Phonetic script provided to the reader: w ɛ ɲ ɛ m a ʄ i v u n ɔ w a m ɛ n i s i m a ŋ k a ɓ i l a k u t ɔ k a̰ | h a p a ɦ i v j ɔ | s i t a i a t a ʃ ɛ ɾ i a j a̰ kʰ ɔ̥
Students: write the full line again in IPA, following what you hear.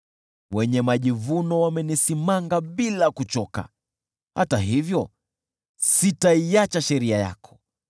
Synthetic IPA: w ɛ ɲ ɛ m a ʄ i v u n ɔ w a m ɛ n i s i m a ŋ ɡ a ɓ i l a k u t͡ʃ ɔ k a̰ | h a t a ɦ i v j ɔ | s i t a i a t͡ʃ a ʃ ɛ ɾ i a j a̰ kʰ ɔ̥